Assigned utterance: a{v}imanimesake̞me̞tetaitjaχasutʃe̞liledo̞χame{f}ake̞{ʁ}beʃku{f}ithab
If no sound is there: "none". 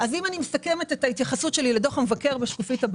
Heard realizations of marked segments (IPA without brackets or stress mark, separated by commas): z, v, ʁ, f